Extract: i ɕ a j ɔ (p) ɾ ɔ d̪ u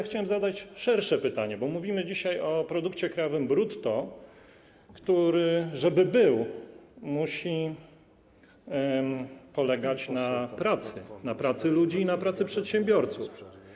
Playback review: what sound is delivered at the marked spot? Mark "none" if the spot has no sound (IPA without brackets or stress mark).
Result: p